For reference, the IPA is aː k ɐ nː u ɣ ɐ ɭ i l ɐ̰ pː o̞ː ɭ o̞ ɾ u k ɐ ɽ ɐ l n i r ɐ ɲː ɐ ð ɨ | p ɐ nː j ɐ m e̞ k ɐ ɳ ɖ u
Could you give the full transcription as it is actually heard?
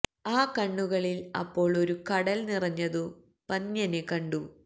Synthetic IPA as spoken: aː k ɐ ɳː u ɣ ɐ ɭ i l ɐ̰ pː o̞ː ɭ o̞ ɾ u k ɐ ɽ ɐ l n i r ɐ ɲː ɐ ð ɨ | p ɐ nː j ɐ n e̞ k ɐ ɳ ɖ u